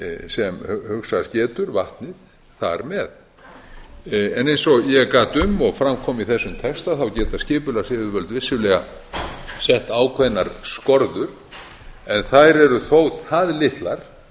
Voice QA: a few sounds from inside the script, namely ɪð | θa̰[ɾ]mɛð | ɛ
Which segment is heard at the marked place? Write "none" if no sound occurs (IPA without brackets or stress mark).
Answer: ɾ